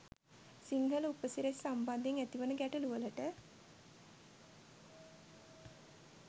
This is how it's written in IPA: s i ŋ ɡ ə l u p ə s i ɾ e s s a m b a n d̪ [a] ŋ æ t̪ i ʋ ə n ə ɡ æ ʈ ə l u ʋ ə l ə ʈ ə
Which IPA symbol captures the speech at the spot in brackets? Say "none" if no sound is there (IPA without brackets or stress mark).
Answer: e